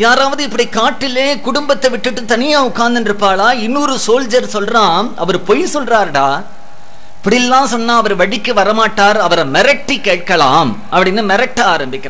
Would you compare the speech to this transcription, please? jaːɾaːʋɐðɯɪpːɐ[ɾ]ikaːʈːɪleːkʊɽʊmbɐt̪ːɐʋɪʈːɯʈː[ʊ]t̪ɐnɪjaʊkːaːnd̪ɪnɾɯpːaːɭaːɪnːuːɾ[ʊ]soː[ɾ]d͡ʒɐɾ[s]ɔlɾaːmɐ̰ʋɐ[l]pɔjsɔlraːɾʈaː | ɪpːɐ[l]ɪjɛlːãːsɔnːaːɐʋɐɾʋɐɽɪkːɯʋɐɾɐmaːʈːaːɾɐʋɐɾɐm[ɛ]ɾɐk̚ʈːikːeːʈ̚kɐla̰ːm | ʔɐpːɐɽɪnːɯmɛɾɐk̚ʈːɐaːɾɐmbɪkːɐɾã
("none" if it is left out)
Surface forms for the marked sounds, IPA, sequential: ɽ, ɯ, ɯ, l, s, ɾ, ɽ, ɛ

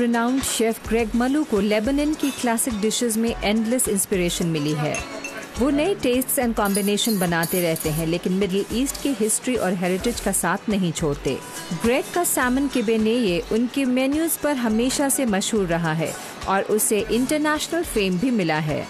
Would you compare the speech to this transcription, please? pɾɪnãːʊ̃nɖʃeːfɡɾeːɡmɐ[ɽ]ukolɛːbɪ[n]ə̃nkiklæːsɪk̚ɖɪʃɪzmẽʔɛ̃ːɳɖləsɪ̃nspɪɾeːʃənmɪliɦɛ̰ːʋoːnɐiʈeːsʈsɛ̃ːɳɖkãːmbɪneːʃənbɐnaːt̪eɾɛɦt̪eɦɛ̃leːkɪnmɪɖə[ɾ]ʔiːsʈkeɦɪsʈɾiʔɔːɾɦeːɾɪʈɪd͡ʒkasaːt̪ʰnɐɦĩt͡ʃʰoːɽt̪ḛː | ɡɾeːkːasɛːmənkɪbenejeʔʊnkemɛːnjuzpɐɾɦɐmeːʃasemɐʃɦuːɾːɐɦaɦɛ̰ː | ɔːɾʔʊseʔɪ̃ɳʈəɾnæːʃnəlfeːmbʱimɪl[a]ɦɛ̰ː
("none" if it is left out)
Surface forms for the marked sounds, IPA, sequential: l, n, l, a

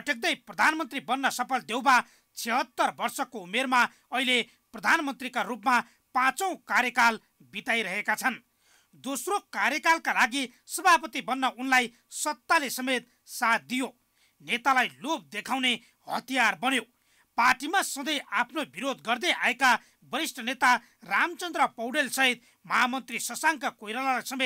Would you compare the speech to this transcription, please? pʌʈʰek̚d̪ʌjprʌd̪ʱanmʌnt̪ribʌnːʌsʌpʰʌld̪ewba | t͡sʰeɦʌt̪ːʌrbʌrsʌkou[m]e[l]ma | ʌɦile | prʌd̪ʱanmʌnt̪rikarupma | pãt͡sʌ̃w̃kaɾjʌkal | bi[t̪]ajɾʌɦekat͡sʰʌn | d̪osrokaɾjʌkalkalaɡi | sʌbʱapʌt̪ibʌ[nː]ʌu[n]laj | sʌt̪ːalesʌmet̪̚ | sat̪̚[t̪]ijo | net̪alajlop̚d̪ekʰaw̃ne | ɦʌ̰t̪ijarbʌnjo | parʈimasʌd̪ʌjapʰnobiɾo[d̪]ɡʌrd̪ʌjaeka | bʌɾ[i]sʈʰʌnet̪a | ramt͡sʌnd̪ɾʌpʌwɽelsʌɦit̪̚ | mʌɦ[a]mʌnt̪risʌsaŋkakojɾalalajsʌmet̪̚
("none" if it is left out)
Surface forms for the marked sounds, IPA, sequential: m, r, t̪, nː, n, d̪, d̪, i, a

